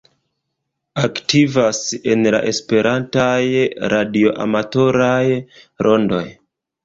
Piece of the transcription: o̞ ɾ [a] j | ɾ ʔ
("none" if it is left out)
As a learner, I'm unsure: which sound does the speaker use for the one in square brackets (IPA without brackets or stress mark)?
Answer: a